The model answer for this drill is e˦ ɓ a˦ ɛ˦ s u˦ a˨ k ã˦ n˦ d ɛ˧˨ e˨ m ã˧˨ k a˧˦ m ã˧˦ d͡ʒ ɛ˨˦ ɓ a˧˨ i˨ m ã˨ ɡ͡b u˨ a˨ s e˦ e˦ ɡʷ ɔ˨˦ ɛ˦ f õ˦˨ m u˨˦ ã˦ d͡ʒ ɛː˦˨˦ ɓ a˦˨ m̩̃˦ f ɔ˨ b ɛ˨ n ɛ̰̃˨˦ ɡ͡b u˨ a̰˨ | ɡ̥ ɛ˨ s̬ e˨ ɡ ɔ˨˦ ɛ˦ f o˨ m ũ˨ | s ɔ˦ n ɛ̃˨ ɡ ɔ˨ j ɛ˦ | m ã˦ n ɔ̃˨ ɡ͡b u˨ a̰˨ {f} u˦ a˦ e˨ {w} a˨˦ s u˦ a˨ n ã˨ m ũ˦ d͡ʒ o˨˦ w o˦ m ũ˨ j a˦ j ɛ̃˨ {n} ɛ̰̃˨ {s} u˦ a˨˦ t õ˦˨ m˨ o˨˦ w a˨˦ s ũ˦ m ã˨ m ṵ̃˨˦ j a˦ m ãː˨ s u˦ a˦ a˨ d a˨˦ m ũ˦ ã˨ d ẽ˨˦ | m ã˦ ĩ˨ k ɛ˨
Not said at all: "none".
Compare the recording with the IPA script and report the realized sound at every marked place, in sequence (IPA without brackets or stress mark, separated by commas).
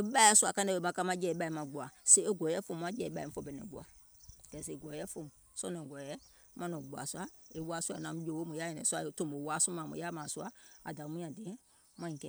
s, w, n, s